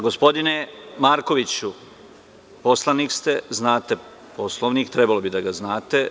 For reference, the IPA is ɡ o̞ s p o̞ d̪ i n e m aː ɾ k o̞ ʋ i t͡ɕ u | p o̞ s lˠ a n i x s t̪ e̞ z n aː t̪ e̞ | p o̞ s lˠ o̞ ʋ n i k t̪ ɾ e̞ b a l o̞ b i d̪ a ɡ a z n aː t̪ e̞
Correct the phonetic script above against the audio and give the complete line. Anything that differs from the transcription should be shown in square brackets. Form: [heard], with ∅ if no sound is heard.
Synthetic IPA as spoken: ɡ o̞ s p o̞ d̪ i n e m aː ɾ k o̞ ʋ i t͡ɕ u | p o̞ s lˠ a n i [k] s t̪ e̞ z n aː t̪ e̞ | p o̞ s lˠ o̞ ʋ n i k t̪ ɾ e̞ b a l o̞ b i d̪ a ɡ a z n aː t̪ e̞